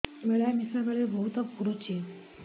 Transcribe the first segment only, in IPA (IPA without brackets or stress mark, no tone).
ʋ